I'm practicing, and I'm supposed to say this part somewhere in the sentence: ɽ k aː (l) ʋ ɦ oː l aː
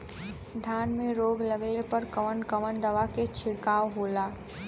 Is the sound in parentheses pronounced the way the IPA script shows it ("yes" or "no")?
no